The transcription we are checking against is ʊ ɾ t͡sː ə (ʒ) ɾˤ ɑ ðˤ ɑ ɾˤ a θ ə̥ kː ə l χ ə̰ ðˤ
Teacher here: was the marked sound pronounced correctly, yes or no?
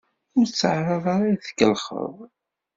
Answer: no